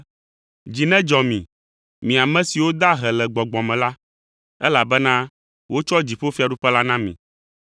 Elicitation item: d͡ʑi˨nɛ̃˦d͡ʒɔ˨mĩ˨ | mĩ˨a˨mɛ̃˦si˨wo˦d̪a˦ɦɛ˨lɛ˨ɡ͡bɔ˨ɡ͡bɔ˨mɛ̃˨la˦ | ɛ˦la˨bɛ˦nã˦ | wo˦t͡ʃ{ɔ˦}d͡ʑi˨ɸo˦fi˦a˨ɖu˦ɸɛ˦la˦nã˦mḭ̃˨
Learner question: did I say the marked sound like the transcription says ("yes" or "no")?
yes